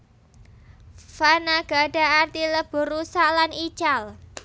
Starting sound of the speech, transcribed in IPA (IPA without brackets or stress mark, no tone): f